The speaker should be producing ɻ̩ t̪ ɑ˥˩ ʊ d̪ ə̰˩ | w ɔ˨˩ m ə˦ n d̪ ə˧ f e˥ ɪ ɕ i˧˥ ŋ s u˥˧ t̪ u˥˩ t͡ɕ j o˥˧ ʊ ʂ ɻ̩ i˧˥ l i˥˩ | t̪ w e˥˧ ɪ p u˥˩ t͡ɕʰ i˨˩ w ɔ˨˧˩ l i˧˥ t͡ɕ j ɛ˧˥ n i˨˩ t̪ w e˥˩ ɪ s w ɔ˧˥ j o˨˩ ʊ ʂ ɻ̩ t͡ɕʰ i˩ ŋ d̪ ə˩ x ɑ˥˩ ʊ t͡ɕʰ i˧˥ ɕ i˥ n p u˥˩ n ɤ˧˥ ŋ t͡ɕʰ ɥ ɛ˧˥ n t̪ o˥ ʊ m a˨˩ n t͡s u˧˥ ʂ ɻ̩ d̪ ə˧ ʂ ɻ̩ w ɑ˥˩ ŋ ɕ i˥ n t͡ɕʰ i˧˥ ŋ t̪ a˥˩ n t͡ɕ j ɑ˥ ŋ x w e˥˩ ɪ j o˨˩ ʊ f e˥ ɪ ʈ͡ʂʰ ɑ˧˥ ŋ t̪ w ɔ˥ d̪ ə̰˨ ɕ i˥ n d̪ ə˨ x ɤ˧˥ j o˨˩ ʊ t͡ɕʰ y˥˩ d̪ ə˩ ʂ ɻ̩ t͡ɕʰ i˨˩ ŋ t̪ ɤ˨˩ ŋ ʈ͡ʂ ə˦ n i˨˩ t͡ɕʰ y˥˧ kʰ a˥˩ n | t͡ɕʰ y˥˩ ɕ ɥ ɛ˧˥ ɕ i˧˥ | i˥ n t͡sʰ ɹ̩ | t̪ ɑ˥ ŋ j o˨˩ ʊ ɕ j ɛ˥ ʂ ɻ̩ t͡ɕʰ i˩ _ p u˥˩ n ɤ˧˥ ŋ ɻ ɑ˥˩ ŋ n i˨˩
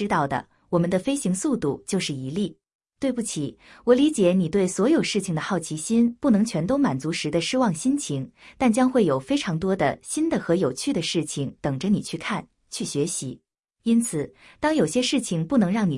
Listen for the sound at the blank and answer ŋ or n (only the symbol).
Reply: ŋ